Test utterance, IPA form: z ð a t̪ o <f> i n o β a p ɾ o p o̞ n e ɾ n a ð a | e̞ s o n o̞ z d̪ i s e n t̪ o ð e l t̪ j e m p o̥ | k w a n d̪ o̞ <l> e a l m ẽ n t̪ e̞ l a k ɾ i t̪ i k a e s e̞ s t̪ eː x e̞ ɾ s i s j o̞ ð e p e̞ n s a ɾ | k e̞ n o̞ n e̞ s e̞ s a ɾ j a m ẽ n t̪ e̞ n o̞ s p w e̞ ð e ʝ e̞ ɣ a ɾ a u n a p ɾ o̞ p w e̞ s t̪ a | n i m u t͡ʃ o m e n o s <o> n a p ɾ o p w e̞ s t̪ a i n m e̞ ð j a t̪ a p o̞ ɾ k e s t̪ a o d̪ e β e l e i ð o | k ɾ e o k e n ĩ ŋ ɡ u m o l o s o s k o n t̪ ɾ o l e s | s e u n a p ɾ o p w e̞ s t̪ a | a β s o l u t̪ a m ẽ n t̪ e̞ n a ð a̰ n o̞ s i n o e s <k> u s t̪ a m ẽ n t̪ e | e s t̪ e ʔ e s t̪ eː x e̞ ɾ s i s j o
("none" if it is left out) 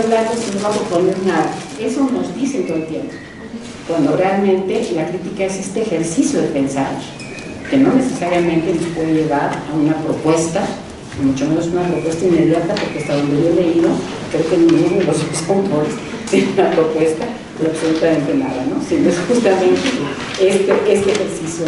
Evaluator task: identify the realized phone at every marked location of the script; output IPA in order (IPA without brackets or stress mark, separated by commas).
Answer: s, r, u, x